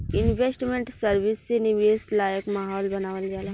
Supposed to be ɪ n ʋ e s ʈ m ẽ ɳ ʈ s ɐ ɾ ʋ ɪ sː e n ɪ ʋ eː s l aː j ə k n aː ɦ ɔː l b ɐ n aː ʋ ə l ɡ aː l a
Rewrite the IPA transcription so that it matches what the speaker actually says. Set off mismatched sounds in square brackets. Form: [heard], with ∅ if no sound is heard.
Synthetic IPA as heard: ɪ n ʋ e s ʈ m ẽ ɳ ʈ s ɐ ɾ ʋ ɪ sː e n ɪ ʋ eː s l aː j ə k [m] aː ɦ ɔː l b ɐ n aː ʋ ə l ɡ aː l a